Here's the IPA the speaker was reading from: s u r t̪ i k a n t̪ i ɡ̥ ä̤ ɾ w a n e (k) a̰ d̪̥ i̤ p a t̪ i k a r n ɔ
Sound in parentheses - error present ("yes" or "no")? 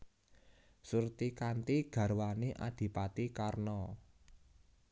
yes